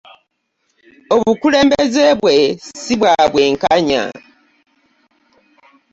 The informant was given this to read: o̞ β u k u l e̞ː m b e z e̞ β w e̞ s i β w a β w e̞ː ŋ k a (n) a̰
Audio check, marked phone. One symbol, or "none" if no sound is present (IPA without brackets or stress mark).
ɲ